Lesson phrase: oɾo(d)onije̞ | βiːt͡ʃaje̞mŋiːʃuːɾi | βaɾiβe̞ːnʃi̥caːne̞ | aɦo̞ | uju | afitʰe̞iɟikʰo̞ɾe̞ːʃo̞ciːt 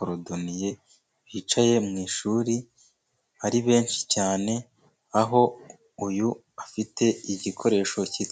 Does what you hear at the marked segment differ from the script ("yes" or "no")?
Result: no